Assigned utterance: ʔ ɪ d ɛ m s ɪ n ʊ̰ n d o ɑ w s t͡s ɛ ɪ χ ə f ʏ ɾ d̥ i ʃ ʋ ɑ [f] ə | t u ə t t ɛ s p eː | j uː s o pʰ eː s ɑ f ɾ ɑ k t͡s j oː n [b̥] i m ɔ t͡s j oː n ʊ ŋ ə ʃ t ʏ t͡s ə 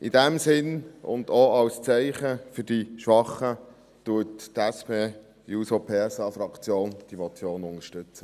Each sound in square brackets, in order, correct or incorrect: incorrect, incorrect

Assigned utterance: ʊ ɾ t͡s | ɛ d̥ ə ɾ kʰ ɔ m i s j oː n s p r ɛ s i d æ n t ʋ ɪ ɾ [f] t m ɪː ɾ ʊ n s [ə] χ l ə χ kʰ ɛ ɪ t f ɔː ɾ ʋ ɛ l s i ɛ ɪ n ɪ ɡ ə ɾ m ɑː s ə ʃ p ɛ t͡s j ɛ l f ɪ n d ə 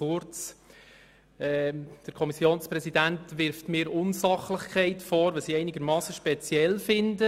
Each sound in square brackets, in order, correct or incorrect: correct, incorrect

